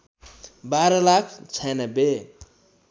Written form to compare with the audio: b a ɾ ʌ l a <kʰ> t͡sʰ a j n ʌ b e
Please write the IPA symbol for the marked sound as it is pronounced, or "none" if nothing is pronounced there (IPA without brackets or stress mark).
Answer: kʰ